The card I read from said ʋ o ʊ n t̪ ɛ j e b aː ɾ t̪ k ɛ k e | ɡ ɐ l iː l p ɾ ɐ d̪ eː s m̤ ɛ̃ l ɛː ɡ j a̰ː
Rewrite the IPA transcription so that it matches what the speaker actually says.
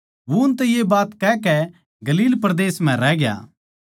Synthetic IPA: ʋ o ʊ n t̪ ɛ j e b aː t̪ k ɛ k ɛ | ɡ ɐ l iː l p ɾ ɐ d̪ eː s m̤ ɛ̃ ɾ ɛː ɡ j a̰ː